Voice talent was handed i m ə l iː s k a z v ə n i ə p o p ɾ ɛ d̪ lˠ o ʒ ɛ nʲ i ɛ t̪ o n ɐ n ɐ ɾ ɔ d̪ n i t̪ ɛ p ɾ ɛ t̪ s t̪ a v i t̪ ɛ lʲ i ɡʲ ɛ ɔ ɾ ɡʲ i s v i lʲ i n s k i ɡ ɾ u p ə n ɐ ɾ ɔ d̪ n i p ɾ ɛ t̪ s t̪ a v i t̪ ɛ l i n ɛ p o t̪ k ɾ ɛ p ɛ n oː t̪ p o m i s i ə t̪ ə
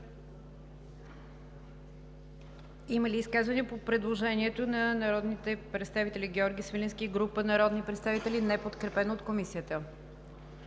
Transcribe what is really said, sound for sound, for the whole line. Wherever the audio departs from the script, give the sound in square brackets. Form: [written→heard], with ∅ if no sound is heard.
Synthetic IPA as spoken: i m ə l iː s k a z v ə n i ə p o p ɾ ɛ d̪ lˠ o ʒ ɛ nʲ i ɛ t̪ o n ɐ n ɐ ɾ ɔ d̪ n i t̪ ɛ p ɾ ɛ t̪ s t̪ a v i t̪ ɛ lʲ i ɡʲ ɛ ɔ ɾ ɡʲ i s v i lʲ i n s k i ɡ ɾ u p ə n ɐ ɾ ɔ d̪ n i p ɾ ɛ t̪ s t̪ a v i t̪ ɛ l i n ɛ p o t̪ k ɾ ɛ p ɛ n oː t̪ [p→k] o m i s i ə t̪ ə